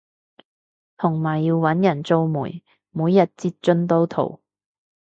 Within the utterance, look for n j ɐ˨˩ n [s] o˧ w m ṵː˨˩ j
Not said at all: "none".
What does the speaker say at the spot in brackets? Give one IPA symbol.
t͡s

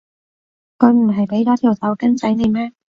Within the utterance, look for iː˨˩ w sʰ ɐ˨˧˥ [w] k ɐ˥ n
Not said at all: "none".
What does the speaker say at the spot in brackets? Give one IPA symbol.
w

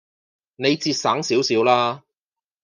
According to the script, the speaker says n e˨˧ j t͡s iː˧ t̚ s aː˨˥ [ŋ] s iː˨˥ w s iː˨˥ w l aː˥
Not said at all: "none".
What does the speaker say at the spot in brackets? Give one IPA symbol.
ŋ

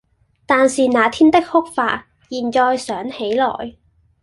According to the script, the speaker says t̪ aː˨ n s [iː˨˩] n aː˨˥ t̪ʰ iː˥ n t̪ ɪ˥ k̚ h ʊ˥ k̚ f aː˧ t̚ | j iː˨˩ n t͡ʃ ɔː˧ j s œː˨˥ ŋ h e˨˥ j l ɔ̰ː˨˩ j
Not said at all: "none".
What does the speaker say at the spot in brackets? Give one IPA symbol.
iː˨˩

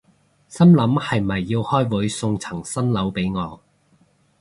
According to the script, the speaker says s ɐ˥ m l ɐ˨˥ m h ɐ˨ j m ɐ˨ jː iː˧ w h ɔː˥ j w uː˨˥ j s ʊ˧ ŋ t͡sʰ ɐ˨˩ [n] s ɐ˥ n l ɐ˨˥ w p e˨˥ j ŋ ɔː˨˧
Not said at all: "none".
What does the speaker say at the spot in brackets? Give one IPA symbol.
ŋ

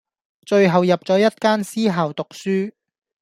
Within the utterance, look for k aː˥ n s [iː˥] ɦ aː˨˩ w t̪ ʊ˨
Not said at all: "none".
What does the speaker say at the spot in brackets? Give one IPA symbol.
iː˥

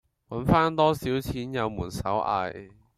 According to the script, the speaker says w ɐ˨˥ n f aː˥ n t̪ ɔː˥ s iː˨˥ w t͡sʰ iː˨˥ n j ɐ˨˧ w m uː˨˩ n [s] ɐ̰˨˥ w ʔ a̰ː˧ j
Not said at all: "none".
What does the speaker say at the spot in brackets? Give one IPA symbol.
s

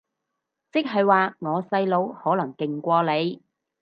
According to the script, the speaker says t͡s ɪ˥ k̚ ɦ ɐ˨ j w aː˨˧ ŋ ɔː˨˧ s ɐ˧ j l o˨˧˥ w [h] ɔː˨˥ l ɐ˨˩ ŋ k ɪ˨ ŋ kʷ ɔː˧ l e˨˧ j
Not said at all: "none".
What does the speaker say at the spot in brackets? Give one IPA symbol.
h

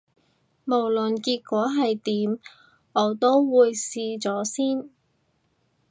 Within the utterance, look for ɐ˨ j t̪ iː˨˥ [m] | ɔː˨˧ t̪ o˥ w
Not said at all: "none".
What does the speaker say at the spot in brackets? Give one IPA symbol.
m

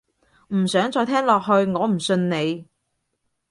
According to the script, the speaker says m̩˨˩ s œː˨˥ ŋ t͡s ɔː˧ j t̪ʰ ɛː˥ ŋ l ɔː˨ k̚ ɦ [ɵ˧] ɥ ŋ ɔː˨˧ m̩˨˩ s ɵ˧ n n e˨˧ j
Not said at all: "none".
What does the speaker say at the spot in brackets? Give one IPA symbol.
ɵ˧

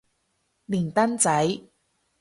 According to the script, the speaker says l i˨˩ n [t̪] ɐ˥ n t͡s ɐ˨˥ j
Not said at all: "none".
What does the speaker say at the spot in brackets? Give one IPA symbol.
t̪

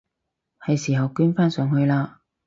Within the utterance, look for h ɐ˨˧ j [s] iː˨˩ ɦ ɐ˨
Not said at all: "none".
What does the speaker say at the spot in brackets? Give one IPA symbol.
s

